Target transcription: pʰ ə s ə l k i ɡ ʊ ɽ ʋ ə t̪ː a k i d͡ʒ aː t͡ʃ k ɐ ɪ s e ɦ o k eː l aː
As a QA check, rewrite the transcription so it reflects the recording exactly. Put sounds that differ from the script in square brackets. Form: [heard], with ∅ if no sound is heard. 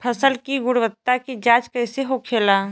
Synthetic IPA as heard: pʰ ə s ə l k i ɡ ʊ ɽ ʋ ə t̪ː a k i d͡ʒ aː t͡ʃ k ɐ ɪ s e ɦ o [kʰ] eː l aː